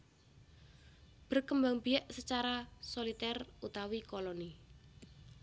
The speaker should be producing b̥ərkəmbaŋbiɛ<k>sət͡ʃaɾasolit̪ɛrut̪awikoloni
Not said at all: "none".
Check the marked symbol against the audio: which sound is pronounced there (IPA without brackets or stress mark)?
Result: ʔ